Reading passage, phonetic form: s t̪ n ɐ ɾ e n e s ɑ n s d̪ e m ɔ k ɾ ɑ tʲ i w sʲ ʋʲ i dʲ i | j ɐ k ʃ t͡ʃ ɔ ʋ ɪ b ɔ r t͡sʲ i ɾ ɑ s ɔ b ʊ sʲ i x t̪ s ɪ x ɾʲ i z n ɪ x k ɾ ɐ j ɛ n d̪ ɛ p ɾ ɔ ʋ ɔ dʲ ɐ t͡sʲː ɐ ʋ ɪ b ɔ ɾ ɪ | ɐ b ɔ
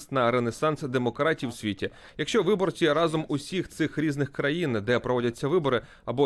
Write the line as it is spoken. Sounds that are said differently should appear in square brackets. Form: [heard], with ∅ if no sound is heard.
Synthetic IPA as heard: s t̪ n ɐ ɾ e n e s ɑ n s d̪ e m ɔ k ɾ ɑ tʲ i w sʲ ʋʲ i [tʲ] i | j ɐ k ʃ t͡ʃ ɔ ʋ ɪ b ɔ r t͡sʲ i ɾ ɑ [z] ɔ [m] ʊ sʲ i x t̪ s ɪ x ɾʲ i z n ɪ x k ɾ ɐ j [i] n d̪ ɛ p ɾ ɔ ʋ ɔ dʲ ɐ t͡sʲː ɐ ʋ ɪ b ɔ ɾ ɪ | ɐ b ɔ